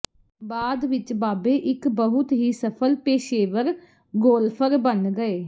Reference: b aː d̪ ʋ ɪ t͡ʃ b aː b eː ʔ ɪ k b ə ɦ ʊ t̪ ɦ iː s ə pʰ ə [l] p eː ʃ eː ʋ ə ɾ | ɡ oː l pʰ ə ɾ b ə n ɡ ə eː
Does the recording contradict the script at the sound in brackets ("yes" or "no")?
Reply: no